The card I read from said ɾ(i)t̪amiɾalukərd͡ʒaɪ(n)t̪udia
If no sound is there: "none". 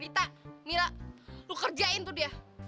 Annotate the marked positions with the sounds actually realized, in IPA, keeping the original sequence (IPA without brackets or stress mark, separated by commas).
i, n